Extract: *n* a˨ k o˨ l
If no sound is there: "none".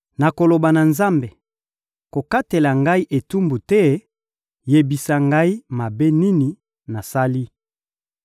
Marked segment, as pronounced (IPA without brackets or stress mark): n